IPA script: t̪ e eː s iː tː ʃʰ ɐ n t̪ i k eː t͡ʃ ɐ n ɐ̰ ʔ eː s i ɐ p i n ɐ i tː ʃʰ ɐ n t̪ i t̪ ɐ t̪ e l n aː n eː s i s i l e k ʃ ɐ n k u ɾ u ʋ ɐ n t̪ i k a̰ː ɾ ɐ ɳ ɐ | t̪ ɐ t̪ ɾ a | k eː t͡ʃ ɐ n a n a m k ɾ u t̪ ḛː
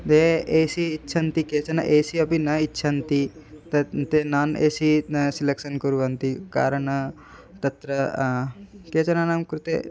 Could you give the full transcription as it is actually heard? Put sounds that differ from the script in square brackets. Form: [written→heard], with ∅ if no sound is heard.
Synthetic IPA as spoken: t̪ e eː s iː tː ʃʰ ɐ n t̪ i k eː t͡ʃ ɐ n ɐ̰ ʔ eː s i ɐ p i n ɐ i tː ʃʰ ɐ n t̪ i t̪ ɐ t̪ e [l→∅] n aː n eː s i s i l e k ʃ ɐ n k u ɾ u ʋ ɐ n t̪ i k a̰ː ɾ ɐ ɳ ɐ | t̪ ɐ t̪ ɾ [a→ɐ] | k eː t͡ʃ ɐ n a n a m k ɾ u t̪ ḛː